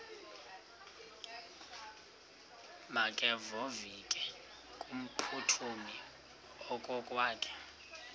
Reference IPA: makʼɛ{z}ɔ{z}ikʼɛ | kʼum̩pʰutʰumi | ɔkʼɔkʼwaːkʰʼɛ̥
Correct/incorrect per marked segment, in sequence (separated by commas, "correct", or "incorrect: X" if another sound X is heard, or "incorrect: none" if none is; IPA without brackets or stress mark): incorrect: v, incorrect: v